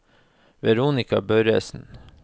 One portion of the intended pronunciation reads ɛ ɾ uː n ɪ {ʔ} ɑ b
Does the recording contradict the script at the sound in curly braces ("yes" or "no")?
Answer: yes